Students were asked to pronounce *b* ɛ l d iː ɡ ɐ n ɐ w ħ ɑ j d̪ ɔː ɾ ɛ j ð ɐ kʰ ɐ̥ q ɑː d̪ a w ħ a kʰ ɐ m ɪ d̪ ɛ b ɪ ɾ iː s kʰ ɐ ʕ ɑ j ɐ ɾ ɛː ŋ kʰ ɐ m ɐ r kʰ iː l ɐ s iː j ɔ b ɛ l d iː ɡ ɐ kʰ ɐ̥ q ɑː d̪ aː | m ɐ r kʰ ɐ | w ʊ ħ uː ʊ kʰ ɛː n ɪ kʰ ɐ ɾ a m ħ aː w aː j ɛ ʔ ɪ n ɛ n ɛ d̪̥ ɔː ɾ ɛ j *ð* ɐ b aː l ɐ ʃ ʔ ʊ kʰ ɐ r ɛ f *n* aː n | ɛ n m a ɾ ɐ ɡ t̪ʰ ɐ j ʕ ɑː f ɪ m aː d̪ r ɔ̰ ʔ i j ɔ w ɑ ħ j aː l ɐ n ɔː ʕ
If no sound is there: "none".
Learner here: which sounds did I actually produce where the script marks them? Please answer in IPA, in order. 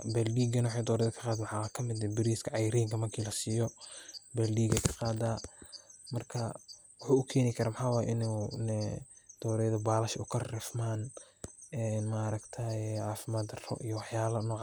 b, ð, m

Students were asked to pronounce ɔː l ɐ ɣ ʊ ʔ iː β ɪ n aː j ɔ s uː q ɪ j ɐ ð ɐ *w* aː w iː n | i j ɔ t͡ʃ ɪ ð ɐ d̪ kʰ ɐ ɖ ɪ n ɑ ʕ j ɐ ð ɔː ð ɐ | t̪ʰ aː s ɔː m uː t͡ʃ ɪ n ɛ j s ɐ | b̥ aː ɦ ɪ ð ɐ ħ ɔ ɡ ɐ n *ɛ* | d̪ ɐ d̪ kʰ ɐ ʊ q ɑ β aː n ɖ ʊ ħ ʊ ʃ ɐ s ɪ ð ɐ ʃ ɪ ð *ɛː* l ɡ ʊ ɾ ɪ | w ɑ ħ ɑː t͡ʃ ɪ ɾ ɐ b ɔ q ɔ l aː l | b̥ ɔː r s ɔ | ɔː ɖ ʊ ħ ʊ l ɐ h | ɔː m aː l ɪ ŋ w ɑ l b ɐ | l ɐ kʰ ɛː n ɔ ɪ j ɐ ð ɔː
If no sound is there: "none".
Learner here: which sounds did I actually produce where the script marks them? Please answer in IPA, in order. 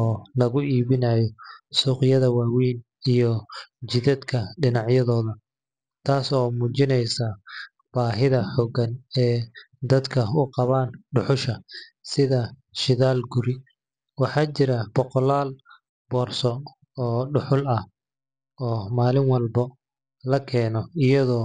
w, ɛː, aː

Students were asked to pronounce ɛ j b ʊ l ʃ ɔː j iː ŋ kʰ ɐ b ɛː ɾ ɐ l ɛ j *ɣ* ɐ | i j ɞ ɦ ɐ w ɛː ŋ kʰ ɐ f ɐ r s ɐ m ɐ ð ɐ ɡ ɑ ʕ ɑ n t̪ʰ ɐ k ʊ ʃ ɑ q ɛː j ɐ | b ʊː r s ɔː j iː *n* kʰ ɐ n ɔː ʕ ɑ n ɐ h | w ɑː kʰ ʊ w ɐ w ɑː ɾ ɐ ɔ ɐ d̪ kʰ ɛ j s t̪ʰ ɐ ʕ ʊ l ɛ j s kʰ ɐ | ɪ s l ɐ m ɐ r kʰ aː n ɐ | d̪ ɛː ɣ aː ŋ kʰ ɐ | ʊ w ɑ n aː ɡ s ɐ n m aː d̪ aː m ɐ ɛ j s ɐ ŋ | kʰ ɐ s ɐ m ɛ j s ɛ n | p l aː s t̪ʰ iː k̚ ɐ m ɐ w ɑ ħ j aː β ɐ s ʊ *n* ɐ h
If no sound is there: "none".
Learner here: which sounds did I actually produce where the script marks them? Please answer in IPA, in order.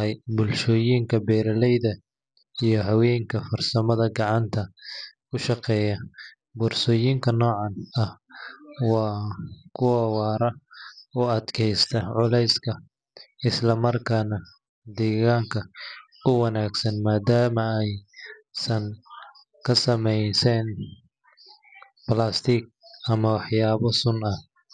ð, ŋ, n

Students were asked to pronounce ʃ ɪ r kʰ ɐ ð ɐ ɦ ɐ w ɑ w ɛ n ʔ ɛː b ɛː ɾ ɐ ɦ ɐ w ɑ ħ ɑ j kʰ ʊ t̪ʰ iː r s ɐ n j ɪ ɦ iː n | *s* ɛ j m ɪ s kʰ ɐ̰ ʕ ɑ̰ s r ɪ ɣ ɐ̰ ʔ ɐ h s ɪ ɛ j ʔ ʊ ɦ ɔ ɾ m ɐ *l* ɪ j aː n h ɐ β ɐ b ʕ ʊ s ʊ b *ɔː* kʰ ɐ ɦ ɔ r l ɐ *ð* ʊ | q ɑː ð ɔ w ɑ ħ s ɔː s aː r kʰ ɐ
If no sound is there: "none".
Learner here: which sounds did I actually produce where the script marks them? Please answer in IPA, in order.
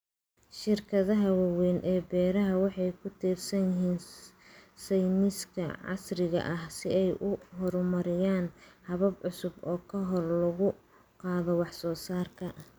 s, ɾ, ɔː, ɣ

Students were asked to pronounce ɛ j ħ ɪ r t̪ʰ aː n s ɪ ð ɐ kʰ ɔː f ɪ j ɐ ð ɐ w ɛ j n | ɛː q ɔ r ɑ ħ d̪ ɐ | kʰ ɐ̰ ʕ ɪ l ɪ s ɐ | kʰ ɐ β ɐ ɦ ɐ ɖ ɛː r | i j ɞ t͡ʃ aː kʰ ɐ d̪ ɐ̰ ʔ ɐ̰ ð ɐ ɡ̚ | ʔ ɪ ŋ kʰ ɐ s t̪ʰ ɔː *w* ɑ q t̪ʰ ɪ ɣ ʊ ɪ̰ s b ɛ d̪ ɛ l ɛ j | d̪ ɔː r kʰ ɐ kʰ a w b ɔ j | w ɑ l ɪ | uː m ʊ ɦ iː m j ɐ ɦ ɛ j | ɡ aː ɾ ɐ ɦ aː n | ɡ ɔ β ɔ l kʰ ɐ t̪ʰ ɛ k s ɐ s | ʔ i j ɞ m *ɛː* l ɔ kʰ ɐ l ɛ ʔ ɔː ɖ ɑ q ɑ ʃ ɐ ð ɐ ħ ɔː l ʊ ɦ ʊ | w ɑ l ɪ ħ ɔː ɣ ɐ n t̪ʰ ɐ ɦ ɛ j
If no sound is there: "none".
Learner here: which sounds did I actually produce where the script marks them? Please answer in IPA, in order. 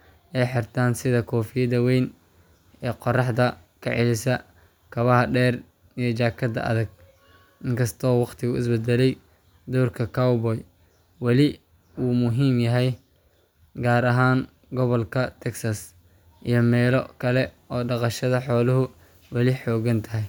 w, ɛː

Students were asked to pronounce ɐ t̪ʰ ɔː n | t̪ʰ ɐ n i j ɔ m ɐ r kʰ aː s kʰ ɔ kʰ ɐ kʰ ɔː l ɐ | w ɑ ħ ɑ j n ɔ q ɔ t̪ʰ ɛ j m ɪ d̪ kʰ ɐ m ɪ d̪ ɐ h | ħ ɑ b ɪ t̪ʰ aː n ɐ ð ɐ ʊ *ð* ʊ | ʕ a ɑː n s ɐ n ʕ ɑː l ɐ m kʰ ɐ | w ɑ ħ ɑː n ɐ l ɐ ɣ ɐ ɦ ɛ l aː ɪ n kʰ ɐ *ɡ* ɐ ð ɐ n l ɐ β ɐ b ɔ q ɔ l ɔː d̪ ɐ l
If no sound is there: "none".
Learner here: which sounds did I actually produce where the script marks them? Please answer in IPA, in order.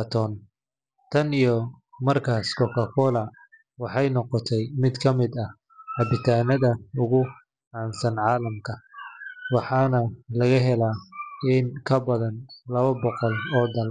ɣ, b

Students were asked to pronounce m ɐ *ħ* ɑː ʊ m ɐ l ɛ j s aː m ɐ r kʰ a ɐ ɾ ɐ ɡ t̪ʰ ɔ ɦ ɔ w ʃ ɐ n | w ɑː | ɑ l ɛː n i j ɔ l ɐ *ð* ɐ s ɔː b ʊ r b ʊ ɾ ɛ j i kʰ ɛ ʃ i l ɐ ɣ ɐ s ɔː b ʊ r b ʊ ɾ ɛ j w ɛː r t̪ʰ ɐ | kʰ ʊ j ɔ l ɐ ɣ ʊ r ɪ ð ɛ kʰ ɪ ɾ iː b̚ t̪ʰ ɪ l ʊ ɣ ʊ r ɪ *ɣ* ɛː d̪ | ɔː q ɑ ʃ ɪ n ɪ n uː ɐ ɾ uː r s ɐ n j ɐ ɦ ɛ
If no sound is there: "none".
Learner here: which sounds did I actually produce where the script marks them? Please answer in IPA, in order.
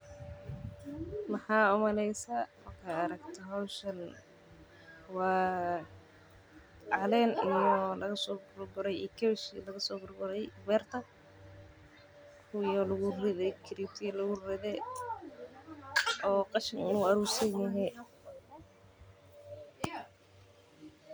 ħ, ɣ, ð

